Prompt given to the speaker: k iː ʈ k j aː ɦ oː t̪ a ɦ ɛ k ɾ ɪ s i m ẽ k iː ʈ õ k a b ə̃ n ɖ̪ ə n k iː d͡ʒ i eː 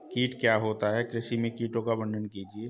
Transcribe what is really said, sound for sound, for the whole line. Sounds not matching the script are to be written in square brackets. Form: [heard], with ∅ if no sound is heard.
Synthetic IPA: k iː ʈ k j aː ɦ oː t̪ a ɦ ɛ k ɾ ɪ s i m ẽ k iː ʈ õ k a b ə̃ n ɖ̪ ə n k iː d͡ʒ i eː